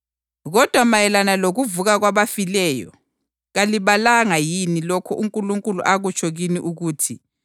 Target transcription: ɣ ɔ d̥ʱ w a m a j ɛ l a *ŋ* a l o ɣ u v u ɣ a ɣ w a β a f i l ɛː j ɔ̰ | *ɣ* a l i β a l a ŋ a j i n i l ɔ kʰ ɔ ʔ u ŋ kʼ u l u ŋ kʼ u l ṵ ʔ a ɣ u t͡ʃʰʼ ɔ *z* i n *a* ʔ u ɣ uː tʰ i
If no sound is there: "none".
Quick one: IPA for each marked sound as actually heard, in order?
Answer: n, ɣ, ɣ, i

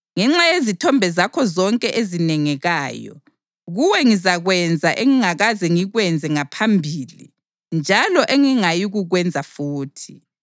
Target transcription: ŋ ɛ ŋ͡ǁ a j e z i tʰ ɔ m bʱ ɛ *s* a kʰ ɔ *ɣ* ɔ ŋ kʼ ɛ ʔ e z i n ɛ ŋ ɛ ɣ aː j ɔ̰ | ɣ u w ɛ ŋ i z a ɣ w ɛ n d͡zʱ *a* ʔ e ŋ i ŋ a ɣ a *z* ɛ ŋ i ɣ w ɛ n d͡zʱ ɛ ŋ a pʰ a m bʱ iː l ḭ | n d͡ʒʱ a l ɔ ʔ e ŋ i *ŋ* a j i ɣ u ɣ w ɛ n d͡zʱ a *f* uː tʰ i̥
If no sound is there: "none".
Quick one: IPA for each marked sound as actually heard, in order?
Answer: z, z, a, z, ŋ, f

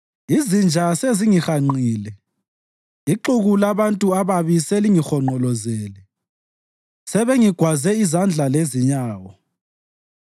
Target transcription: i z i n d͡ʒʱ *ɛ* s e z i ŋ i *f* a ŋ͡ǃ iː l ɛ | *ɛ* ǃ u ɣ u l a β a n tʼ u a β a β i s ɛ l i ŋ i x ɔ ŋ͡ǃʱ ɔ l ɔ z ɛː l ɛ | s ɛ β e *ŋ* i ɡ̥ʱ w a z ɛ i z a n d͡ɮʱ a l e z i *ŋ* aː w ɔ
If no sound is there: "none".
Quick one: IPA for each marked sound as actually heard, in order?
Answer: a, x, i, ŋ, ɲ

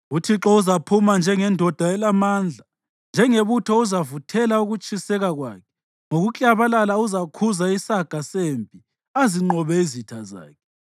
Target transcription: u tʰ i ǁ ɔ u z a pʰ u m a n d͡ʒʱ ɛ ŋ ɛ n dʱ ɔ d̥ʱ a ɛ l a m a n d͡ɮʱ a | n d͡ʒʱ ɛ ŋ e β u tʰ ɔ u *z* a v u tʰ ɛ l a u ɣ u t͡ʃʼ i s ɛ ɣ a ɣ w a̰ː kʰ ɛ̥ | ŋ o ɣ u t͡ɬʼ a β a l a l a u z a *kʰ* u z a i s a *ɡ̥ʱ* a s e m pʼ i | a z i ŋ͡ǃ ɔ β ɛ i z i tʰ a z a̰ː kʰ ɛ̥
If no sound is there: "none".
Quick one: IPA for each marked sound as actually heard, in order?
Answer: z, kʰ, ɡ̥ʱ

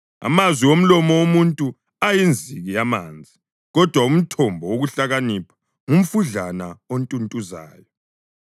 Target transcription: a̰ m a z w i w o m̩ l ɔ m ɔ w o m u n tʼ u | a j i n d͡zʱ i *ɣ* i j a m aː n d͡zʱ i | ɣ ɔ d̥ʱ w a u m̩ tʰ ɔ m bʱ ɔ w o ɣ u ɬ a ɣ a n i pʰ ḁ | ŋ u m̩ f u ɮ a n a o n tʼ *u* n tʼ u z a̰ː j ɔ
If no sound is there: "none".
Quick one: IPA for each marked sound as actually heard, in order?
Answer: ɣ, u

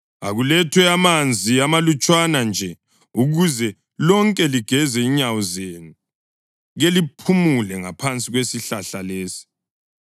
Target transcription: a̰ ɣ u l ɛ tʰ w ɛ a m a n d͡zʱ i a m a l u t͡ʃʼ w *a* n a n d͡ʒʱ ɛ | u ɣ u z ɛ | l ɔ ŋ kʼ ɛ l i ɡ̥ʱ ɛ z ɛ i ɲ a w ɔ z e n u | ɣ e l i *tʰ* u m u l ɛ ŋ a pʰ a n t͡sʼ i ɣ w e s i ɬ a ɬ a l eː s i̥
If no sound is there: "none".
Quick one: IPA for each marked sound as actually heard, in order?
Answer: a, pʰ

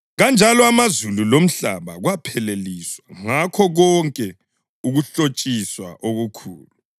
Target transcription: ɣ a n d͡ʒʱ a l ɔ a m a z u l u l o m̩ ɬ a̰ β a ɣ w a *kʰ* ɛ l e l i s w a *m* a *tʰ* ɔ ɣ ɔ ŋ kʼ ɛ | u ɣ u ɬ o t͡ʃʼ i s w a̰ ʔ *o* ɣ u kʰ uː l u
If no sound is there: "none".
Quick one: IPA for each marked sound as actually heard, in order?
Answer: pʰ, ŋ, kʰ, o

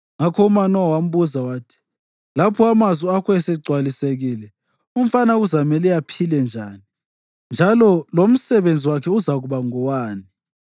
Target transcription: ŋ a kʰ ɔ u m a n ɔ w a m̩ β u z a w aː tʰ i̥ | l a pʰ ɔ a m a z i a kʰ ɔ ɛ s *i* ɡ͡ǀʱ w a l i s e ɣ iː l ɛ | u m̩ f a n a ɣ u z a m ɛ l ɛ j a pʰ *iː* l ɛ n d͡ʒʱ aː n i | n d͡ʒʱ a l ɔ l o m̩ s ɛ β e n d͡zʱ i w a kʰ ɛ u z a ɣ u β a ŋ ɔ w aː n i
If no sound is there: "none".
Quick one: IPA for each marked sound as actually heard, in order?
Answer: ɛ, i

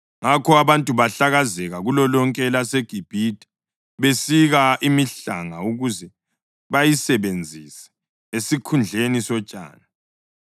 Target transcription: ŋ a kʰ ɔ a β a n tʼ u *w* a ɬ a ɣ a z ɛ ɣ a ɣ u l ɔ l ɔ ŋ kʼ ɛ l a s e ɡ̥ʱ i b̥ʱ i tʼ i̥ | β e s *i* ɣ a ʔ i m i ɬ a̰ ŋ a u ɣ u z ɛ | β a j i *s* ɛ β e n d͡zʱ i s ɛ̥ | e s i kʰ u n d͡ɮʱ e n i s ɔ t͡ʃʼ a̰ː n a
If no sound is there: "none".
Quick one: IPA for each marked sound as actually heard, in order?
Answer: β, i, s

